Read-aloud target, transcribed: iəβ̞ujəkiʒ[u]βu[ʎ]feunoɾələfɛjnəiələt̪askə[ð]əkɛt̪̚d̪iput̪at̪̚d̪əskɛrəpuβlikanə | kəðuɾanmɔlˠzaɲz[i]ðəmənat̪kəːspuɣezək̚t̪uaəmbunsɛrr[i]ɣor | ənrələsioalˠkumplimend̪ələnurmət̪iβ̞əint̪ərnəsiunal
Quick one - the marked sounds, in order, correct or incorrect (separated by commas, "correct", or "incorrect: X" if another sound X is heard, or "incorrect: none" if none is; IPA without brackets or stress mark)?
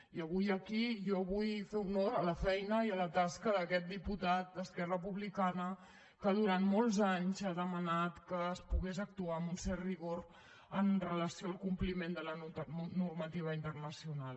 incorrect: ɔ, incorrect: j, correct, incorrect: a, correct